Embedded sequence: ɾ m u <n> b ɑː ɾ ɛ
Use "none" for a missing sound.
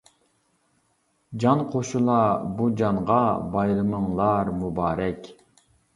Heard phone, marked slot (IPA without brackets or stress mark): none